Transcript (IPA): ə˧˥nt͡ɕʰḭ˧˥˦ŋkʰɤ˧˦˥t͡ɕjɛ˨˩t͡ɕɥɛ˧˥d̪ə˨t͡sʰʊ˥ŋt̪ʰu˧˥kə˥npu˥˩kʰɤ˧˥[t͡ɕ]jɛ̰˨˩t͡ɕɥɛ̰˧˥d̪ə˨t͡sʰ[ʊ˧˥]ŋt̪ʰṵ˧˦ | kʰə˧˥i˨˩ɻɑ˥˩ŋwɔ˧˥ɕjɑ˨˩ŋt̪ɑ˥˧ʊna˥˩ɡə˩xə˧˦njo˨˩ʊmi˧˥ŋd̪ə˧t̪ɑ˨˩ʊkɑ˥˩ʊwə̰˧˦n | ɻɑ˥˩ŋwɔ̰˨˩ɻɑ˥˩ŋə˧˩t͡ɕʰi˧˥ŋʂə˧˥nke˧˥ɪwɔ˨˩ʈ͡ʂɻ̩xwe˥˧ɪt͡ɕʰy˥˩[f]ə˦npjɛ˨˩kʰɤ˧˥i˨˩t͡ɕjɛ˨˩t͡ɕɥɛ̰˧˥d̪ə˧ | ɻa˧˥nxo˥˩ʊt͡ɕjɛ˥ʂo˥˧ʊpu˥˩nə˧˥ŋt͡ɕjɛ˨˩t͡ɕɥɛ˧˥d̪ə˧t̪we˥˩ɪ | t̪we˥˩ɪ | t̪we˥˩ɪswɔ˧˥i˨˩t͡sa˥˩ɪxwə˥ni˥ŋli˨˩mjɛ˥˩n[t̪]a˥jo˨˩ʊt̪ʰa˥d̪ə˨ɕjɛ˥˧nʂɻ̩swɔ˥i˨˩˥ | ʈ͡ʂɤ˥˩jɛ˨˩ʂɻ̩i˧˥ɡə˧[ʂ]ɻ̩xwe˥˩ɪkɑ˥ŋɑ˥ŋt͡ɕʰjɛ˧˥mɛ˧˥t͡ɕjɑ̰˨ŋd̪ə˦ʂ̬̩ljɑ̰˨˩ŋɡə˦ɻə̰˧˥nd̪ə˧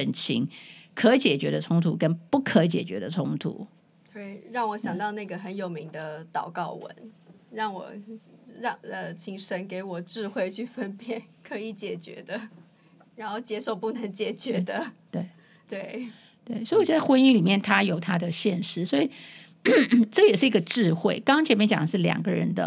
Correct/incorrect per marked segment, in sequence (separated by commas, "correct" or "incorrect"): correct, incorrect, correct, incorrect, incorrect